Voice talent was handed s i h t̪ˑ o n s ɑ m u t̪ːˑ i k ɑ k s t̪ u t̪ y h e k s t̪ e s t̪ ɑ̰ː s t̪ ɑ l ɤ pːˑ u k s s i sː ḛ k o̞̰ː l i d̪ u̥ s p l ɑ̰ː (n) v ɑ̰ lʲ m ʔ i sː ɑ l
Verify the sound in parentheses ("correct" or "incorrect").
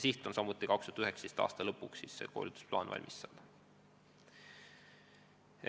correct